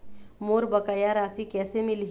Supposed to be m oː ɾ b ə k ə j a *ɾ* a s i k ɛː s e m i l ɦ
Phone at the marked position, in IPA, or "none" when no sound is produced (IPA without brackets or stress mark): ɾ